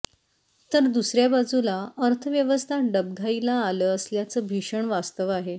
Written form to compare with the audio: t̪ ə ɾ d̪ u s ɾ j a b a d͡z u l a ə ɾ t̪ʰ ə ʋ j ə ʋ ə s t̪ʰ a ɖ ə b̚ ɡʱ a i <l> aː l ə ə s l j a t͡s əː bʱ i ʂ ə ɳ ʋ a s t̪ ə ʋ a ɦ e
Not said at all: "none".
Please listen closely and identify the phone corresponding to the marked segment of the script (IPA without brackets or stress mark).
l